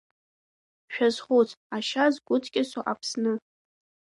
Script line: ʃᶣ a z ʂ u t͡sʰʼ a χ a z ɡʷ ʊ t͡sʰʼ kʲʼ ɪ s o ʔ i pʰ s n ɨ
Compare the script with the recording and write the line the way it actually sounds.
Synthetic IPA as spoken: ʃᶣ a z χ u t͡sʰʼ a ʃ a z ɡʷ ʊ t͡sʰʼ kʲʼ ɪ s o ʔ a pʰ s n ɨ